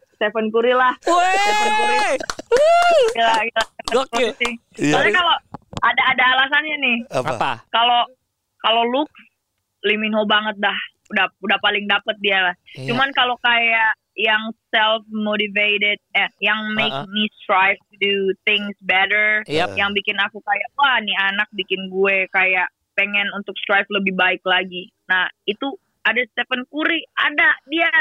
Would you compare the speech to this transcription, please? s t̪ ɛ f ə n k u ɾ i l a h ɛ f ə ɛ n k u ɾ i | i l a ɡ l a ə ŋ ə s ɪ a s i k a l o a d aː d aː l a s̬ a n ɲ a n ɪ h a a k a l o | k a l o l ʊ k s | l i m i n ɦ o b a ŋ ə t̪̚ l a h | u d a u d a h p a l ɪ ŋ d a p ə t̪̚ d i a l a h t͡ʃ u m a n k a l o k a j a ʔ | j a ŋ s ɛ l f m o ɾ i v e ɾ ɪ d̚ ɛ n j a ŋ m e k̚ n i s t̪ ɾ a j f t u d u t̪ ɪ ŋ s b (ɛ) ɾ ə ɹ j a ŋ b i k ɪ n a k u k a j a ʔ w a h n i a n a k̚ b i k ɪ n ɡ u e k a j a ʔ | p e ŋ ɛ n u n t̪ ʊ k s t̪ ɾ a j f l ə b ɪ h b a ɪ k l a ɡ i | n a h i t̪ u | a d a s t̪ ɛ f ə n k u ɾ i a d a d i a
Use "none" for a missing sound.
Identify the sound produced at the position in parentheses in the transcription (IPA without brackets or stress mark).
ɛ